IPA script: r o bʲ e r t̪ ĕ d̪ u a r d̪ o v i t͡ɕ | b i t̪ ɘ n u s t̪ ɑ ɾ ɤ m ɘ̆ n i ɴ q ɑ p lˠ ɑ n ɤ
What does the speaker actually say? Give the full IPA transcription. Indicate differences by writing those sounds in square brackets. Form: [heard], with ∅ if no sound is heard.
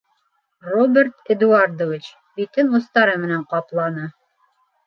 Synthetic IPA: r o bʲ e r t̪ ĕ d̪ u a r d̪ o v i t͡ɕ | b i t̪ ɘ n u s t̪ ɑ ɾ ɤ m ɘ̆ n [æ] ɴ q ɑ p lˠ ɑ n ɤ